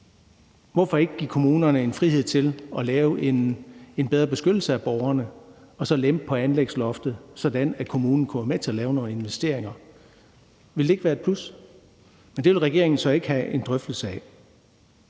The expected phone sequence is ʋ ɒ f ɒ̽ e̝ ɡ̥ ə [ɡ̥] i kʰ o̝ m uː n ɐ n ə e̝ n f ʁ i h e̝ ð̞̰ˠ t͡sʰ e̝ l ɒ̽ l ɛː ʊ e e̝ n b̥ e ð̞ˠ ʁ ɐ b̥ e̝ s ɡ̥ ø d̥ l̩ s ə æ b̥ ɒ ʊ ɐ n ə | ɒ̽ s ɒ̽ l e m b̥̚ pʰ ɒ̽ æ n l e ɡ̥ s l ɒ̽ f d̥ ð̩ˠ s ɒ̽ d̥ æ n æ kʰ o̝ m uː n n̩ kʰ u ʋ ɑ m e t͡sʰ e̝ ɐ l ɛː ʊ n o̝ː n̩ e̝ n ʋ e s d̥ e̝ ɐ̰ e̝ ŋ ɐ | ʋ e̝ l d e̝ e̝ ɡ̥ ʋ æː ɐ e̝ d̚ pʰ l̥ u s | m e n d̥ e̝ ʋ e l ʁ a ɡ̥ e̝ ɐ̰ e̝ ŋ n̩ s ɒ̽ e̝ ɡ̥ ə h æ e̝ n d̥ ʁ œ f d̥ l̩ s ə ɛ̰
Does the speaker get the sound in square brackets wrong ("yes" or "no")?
no